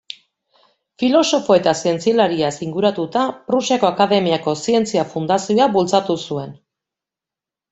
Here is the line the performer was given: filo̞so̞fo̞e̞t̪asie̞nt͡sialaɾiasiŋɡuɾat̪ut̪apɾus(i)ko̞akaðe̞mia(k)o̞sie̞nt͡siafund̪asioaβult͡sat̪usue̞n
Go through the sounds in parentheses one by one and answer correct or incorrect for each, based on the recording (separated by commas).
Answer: incorrect, correct